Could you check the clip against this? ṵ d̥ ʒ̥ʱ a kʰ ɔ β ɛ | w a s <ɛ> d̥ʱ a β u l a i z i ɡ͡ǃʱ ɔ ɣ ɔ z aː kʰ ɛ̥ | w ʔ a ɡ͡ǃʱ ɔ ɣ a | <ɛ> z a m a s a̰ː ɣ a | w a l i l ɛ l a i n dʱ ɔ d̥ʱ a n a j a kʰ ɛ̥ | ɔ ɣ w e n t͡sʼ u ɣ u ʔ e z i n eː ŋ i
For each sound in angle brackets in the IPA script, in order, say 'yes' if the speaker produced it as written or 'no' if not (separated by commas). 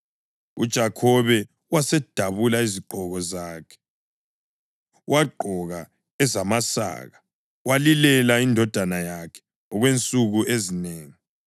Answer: yes, yes